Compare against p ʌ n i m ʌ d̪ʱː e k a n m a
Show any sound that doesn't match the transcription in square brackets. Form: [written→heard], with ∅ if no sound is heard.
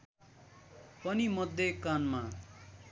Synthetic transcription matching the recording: p ʌ n i m ʌ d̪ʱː e k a n m a